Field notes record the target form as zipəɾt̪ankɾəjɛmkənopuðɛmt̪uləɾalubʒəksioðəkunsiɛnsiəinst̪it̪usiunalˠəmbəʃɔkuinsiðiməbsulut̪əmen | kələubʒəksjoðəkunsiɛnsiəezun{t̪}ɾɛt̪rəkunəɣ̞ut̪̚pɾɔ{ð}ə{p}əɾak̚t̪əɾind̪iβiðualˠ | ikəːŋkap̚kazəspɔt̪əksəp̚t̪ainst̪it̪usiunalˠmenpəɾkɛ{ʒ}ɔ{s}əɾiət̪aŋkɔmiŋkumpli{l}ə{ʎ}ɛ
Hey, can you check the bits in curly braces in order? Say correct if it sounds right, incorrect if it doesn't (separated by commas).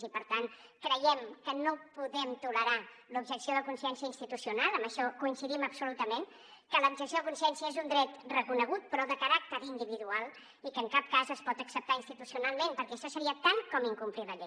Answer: incorrect, correct, incorrect, incorrect, correct, correct, correct